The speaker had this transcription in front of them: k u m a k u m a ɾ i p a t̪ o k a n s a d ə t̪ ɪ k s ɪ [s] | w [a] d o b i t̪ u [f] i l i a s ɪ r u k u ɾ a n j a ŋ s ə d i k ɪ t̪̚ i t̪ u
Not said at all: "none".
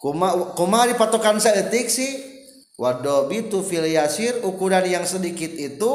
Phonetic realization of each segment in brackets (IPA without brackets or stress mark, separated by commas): h, a, f